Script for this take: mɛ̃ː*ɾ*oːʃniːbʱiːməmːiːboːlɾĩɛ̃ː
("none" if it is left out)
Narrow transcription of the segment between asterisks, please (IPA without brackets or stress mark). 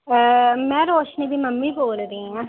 ɾ